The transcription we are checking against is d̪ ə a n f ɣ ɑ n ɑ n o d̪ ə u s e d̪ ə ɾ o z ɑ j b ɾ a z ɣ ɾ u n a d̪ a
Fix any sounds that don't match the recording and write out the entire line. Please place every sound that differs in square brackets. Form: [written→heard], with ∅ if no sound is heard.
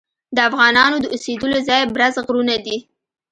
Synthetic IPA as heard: d̪ ə a [n→∅] f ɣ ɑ n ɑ n o d̪ ə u s e d̪ ə [ɾ→l] o z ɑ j b ɾ a z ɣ ɾ u n a d̪ [a→i]